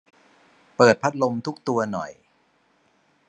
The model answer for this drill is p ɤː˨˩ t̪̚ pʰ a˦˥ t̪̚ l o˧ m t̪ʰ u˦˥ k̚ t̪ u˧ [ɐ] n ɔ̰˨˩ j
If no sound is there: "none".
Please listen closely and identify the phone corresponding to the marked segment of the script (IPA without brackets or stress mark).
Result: ɐ